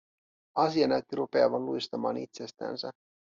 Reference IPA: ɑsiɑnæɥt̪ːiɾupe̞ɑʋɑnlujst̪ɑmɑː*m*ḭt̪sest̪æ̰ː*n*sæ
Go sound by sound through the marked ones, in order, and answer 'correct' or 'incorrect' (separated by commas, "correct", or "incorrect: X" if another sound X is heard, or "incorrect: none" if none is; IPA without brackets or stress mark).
incorrect: n, correct